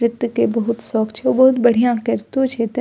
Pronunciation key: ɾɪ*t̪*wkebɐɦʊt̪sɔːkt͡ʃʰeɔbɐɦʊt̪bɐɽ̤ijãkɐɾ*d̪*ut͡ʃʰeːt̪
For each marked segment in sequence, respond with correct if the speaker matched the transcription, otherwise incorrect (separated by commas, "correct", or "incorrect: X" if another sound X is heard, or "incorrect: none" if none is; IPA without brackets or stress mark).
correct, incorrect: t̪